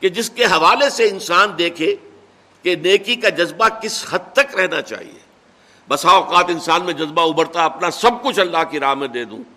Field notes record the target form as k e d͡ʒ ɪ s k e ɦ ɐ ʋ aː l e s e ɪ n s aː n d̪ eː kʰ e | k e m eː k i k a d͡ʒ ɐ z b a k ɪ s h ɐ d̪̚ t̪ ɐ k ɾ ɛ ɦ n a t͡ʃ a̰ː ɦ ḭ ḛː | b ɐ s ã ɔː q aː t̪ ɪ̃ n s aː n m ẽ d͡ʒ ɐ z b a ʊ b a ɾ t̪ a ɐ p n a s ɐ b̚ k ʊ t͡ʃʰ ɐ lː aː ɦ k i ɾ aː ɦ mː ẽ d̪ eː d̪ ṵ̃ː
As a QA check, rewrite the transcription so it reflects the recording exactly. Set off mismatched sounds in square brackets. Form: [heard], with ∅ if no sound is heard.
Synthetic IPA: k e d͡ʒ ɪ s k e ɦ ɐ ʋ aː l e s e ɪ n s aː n d̪ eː kʰ e | k e [n] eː k i k a d͡ʒ ɐ z b a k ɪ s h ɐ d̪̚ t̪ ɐ k ɾ ɛ ɦ n a t͡ʃ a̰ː ɦ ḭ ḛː | b ɐ s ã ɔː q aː t̪ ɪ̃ n s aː n m ẽ d͡ʒ ɐ z b a ʊ b [ə] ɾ t̪ a ɐ p n a s ɐ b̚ k ʊ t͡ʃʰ ɐ lː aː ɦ k i ɾ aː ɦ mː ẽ d̪ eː d̪ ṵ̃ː